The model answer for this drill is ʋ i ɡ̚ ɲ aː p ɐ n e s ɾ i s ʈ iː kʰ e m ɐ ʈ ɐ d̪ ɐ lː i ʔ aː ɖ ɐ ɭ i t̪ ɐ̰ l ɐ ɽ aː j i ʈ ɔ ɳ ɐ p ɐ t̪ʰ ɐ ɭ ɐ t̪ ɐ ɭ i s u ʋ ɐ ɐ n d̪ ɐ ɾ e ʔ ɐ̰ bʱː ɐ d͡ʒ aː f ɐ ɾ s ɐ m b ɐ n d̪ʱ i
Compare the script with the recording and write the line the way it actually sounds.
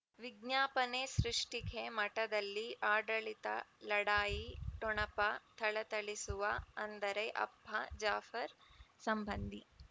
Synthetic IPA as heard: ʋ i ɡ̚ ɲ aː p ɐ n e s ɾ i ʂ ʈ i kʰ e m ɐ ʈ ɐ d̪ ɐ lː i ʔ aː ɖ ɐ ɭ i t̪ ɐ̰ l ɐ ɽ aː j i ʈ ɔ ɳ ɐ p ɐ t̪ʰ ɐ ɭ ɐ t̪ ɐ ɭ i s u ʋ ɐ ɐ n d̪ ɐ ɾ e ʔ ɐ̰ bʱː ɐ d͡ʒ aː f ɐ ɾ s ɐ m b ɐ n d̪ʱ i